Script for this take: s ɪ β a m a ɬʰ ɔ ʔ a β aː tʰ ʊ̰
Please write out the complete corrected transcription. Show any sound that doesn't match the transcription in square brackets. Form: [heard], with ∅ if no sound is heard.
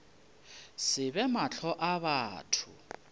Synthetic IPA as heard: s ɪ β [ɛ] m a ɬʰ ɔ ʔ a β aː tʰ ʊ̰